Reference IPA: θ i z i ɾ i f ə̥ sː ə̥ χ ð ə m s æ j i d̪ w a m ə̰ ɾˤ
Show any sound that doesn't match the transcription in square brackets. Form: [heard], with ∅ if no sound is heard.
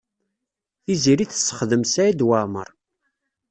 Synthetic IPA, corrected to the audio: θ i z i ɾ i [θ] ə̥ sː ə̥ χ ð ə m s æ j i d̪ w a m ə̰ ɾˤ